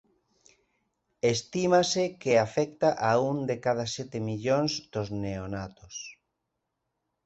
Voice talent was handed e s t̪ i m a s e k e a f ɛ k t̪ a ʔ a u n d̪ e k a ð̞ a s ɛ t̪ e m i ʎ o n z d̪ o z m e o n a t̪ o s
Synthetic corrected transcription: e s t̪ i m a s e k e a f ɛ k t̪ a ʔ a u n d̪ e k a ð̞ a s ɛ t̪ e m i ʎ o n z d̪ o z n e o n a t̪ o s